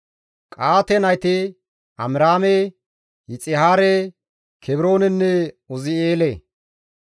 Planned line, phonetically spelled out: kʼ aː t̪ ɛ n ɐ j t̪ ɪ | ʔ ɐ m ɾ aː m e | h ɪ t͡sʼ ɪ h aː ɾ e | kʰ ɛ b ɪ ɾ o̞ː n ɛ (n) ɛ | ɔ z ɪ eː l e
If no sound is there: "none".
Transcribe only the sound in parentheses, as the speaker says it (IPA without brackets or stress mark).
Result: nː